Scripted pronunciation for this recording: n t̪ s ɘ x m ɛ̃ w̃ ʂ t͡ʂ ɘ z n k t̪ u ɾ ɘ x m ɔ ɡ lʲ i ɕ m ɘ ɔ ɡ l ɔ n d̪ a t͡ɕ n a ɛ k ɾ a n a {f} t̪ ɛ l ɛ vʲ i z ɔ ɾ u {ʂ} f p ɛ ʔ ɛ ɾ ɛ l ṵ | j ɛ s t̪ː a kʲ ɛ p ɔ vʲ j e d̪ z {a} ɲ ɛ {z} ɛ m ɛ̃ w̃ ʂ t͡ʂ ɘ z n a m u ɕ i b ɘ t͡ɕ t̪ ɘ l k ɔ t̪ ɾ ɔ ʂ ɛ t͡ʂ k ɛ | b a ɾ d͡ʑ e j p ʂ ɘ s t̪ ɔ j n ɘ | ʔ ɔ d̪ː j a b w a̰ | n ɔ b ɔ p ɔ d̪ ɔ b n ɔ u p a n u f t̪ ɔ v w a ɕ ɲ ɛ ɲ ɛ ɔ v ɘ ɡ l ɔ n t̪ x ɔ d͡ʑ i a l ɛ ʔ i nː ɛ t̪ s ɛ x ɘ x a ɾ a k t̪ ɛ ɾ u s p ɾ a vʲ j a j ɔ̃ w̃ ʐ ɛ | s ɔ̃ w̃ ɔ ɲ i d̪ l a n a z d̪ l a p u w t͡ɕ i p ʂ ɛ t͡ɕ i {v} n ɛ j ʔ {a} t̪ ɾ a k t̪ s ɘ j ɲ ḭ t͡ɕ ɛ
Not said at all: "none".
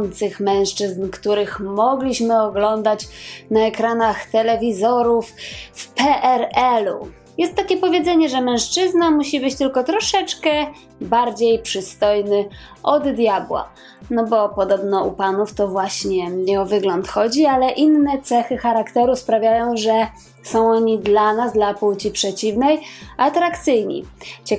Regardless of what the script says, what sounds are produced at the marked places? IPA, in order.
x, f, ɛ, ʐ, v, a

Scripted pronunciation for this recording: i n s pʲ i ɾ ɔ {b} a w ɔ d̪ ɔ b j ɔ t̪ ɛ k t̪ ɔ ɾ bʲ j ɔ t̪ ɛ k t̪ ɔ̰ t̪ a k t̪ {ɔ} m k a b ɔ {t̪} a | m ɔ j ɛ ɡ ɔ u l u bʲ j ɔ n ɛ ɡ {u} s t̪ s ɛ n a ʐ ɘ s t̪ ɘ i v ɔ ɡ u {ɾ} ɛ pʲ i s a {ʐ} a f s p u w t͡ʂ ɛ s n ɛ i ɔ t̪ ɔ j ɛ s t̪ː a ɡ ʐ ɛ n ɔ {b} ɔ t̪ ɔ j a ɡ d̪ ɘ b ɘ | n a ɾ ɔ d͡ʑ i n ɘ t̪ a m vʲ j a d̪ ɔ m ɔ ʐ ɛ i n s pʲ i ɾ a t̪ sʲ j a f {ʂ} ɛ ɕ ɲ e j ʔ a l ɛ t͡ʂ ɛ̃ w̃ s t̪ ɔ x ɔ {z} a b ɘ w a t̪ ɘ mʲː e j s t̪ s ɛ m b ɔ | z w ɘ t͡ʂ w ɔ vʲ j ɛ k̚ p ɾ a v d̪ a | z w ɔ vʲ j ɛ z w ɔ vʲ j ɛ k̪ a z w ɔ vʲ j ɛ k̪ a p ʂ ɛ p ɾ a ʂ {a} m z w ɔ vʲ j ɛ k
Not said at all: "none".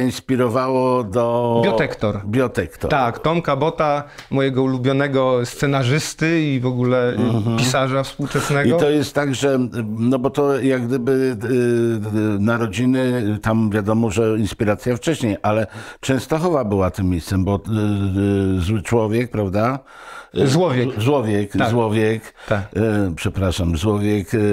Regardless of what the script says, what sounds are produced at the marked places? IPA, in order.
v, ɔ, t̪, ɔ, l, ʐ, b, t͡ʂ, v, a

